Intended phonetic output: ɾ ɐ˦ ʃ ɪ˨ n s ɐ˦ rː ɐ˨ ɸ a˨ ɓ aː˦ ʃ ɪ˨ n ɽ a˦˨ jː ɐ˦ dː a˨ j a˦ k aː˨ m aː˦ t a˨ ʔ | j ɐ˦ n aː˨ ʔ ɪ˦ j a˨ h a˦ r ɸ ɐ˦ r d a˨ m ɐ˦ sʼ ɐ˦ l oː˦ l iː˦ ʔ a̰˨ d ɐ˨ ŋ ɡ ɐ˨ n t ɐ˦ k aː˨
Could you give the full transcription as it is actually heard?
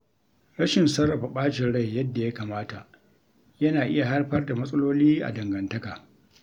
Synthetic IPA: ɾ ɐ˦ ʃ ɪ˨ n s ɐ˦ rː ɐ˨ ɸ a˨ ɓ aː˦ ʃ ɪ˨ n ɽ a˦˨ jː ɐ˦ dː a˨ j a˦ k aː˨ m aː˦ t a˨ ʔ | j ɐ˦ n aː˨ ʔ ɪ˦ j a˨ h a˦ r ɸ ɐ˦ r d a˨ m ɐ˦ sʼ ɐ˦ l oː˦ l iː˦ ʔ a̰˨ d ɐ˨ ŋ ɡ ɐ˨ n t ɐ˦ k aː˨